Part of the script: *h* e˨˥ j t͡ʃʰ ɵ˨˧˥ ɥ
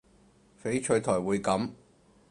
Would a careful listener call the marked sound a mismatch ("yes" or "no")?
yes